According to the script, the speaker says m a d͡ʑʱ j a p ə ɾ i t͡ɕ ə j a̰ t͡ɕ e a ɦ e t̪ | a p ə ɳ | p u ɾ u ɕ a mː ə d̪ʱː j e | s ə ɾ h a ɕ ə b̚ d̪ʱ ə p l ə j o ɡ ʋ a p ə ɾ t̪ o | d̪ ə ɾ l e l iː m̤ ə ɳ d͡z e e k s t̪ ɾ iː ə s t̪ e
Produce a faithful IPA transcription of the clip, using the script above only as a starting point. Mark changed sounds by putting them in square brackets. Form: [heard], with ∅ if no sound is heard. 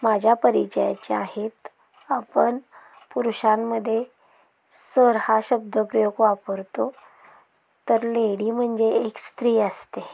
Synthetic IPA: m a d͡ʑʱ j a p ə ɾ i t͡ɕ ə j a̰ t͡ɕ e a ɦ e t̪ | a p ə ɳ | p u ɾ u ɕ a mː ə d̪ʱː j e | s ə ɾ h a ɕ ə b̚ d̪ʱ ə p [ɾ] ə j o ɡ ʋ a p ə ɾ t̪ o | [t̪] ə ɾ l e [ɽ] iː m̤ ə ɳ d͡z e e k s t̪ ɾ iː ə s t̪ e